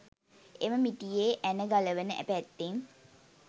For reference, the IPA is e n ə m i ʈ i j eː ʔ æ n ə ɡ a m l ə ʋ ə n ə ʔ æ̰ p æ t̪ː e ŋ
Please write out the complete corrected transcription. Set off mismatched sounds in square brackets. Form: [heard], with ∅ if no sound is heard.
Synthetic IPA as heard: e [m] ə m i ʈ i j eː ʔ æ n ə ɡ a [∅] l ə ʋ ə n ə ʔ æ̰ p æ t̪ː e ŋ